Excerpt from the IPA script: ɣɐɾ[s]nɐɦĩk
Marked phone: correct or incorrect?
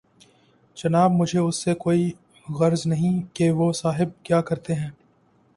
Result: incorrect: z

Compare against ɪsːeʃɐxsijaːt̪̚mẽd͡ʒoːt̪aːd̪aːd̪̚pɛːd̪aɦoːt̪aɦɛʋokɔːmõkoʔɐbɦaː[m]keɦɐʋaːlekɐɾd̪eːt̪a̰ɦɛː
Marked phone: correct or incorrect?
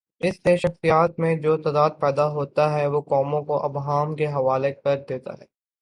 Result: correct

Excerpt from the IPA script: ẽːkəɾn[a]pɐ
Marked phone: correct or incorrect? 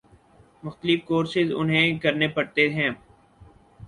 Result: incorrect: e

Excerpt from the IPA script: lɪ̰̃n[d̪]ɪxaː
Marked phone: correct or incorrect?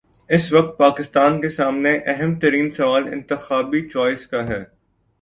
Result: incorrect: t̪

